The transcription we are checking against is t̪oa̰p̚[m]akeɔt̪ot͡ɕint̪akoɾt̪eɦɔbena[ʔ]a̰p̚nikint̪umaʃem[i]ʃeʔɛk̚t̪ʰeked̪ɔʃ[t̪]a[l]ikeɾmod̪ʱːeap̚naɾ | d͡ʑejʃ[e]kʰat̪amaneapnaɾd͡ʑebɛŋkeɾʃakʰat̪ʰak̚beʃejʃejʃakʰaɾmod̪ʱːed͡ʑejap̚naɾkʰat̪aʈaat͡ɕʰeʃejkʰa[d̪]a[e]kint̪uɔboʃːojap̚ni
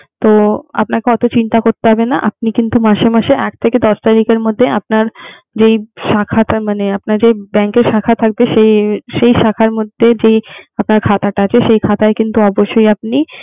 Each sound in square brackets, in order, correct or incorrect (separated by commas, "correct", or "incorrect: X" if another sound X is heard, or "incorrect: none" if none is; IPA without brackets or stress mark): incorrect: n, correct, incorrect: a, correct, incorrect: ɾ, incorrect: a, incorrect: t̪, correct